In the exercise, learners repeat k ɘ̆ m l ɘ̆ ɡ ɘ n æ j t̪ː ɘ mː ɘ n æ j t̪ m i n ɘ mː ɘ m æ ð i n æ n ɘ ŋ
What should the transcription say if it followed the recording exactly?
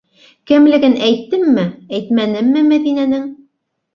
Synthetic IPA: k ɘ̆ m l ɘ̆ ɡ ɘ n æ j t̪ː ɘ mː ɘ æ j t̪ m æ n ɘ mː ɘ m æ ð i n æ n ɘ ŋ

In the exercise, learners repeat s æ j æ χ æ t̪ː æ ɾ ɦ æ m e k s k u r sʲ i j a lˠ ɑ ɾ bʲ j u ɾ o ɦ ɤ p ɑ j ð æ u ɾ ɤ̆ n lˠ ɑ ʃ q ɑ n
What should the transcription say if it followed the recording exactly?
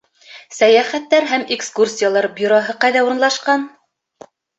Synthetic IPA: s æ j æ χ æ t̪ː æ ɾ ɦ æ m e k s k u r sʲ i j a lˠ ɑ ɾ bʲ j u ɾ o ɦ ɤ q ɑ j ð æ u ɾ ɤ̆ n lˠ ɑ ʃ q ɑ n

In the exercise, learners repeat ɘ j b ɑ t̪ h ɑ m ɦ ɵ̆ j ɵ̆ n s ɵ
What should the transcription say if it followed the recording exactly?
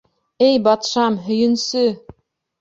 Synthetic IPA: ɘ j b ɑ t̪ ʃ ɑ m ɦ ɵ̆ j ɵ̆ n s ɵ

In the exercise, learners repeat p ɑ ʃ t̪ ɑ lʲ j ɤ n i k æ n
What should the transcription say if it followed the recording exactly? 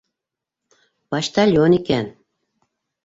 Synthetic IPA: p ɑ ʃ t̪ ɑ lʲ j o n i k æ n

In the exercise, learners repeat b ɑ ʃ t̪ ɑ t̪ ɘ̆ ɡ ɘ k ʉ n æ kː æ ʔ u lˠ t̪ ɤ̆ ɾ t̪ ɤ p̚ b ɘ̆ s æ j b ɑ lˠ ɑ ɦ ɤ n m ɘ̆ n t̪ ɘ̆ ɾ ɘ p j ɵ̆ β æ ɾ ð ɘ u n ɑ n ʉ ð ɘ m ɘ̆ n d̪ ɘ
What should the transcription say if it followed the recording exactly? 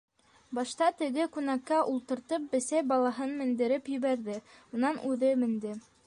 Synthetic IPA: b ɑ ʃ t̪ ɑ t̪ ɘ̆ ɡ ɘ k ʉ n æ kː æ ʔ u lˠ t̪ ɤ̆ ɾ t̪ ɤ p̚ b ɘ̆ s æ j b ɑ lˠ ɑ ɦ ɤ n m ɘ̆ n d̪ ɘ̆ ɾ ɘ p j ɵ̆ β æ ɾ ð ɘ u n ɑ n ʉ ð ɘ m ɘ̆ n d̪ ɘ

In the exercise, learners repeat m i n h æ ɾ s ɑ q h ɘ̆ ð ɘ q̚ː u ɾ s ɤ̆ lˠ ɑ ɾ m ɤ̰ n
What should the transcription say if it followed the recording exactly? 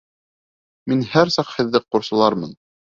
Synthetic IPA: m i n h æ ɾ s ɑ q h ɘ̆ ðː ɘ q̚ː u ɾ s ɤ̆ lˠ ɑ ɾ m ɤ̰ n

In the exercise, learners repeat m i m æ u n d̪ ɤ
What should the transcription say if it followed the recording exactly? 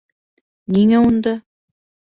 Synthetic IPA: n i ŋ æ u n d̪ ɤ

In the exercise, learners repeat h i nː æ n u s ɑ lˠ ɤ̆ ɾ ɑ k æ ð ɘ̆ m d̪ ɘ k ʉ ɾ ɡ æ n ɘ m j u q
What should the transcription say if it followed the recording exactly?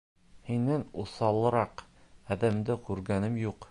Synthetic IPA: h i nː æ n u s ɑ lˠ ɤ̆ ɾ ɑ q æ ð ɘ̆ m d̪ ɘ k ʉ ɾ ɡ æ n ɘ m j u q

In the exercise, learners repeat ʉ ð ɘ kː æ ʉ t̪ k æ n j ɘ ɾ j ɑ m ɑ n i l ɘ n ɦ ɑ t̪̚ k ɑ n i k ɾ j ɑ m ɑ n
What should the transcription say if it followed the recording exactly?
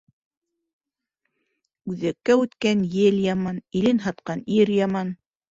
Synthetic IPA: ʉ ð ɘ kː æ ʉ t̪ k æ n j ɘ l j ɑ m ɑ n i l ɘ n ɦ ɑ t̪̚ q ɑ n i ɾ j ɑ m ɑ n

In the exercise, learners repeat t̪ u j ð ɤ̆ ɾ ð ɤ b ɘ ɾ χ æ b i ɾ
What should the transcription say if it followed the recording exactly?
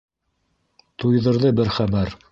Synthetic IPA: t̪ u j ð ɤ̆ ɾ ð ɤ b ɘ ɾ χ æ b æ ɾ

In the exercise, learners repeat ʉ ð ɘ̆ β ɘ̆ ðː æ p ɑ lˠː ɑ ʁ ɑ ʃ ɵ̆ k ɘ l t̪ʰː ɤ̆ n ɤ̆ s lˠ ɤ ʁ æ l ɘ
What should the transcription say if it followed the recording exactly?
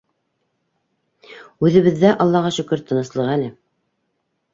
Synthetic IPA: ʉ ð ɘ̆ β ɘ̆ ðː æ ʔ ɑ lˠː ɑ ʁ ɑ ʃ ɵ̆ k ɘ ɾ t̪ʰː ɤ̆ n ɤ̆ s lˠ ɤ ʁ æ l ɘ

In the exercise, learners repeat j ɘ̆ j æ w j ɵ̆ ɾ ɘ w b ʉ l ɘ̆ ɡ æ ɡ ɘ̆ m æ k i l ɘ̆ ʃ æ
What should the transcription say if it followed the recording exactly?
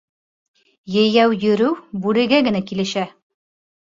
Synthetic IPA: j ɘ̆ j æ w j ɵ̆ ɾ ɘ w b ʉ l ɘ̆ ɡ æ ɡ ɘ̆ n æ k i l ɘ̆ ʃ æ

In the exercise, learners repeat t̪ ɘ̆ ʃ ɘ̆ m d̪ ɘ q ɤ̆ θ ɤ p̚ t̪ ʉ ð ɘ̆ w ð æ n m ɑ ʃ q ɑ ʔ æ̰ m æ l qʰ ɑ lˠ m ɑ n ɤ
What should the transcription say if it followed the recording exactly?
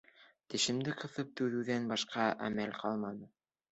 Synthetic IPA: t̪ ɘ̆ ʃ ɘ̆ m d̪ ɘ q ɤ̆ θ ɤ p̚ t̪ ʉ ð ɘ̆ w ð æ n b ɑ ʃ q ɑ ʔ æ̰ m æ l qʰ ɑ lˠ m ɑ n ɤ

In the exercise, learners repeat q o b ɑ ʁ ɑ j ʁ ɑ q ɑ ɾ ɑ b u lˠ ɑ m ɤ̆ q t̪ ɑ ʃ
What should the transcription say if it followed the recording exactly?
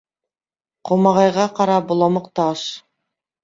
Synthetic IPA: q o m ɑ ʁ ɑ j ʁ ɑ q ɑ ɾ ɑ b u lˠ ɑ m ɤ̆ q t̪ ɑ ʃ

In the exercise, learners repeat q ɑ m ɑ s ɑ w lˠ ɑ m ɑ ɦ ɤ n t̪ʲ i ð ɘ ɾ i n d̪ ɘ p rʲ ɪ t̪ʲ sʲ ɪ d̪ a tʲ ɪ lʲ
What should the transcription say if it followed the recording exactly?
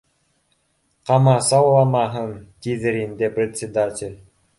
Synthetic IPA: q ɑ m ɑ s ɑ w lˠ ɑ m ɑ ɦ ɤ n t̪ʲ i ð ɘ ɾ i n d̪ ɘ p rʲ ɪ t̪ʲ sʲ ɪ d̪ a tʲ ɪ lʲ

